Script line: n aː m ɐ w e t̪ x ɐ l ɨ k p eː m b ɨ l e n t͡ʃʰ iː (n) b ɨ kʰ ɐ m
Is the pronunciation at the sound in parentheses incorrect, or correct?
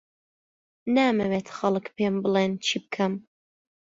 incorrect